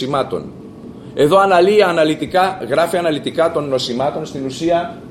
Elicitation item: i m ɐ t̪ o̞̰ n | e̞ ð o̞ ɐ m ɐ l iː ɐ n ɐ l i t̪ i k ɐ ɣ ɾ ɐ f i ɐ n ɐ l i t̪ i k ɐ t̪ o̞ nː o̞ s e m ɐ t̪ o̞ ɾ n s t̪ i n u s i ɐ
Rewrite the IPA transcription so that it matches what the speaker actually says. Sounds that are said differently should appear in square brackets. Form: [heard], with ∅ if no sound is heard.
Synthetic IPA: i m ɐ t̪ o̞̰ n | e̞ ð o̞ ɐ [n] ɐ l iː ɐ n ɐ l i t̪ i k ɐ ɣ ɾ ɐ f i ɐ n ɐ l i t̪ i k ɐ t̪ o̞ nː o̞ s [i] m ɐ t̪ o̞ [∅] n s t̪ i n u s i ɐ